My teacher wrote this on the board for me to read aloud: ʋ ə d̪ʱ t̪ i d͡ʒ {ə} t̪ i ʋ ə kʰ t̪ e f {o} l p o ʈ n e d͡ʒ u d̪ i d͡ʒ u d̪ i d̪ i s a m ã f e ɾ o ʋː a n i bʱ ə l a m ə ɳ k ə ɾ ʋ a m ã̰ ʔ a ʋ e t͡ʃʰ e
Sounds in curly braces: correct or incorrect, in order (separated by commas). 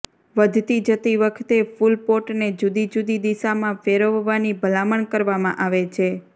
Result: correct, incorrect